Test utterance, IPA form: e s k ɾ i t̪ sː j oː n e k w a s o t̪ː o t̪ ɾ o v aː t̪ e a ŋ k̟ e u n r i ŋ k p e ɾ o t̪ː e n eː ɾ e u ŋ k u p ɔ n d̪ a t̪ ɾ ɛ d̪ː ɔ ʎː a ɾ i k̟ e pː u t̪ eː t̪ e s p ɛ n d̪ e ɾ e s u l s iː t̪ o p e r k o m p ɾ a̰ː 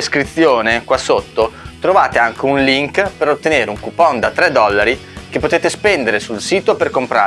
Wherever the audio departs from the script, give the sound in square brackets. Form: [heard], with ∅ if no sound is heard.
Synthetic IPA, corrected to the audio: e s k ɾ i t̪ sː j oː n e k w a s o t̪ː o t̪ ɾ o v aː t̪ e a ŋ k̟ e u n [l] i ŋ k p e ɾ o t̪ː e n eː ɾ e u ŋ k u p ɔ n d̪ a t̪ ɾ ɛ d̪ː ɔ [lː] a ɾ i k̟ e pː [o] t̪ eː t̪ e s p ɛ n d̪ e ɾ e s u l s iː t̪ o p e r k o m p ɾ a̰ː